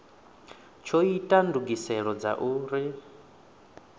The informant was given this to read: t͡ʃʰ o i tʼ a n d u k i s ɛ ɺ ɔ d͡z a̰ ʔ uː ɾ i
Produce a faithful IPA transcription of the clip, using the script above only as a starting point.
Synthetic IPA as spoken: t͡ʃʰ o i tʼ a n d u ɡ i s ɛ ɺ ɔ d͡z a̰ ʔ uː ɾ i